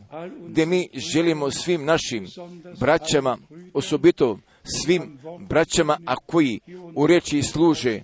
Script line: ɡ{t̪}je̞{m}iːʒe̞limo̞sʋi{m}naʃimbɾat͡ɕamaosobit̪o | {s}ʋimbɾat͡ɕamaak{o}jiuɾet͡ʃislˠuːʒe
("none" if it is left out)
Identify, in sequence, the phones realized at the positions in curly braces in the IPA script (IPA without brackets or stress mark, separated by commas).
d̪, m, m, s, o